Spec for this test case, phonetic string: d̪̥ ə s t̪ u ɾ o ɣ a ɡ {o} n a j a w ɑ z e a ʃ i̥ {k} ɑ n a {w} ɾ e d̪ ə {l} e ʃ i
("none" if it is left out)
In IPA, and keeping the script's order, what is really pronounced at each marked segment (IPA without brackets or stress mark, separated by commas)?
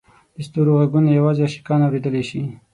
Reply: u, k, w, l